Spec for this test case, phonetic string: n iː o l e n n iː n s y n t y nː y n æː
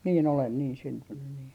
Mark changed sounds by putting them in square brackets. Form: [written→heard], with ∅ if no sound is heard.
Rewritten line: n iː o l e n n iː n s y n t y nː y n [æː→iː]